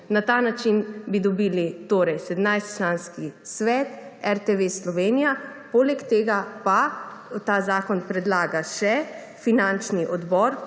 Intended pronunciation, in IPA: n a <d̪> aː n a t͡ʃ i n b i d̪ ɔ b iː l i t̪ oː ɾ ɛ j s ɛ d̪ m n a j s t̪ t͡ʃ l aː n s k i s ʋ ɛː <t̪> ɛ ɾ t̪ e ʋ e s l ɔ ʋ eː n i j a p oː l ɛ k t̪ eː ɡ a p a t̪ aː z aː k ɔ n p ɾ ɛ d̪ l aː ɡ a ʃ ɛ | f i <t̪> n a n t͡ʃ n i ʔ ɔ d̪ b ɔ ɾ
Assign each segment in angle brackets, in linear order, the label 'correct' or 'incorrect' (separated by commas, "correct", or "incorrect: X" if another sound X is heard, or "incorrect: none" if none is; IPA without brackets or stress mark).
incorrect: t̪, correct, incorrect: none